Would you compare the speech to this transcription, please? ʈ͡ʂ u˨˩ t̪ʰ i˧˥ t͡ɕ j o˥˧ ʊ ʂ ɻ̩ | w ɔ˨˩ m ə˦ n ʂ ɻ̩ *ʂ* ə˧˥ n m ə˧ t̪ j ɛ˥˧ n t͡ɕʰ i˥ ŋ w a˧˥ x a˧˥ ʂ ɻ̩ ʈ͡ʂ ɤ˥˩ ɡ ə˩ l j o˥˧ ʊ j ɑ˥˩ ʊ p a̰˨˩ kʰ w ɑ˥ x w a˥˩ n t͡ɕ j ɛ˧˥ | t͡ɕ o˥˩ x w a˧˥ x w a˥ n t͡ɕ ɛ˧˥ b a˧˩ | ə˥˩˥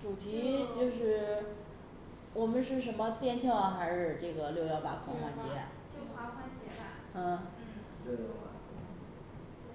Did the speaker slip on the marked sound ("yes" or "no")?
no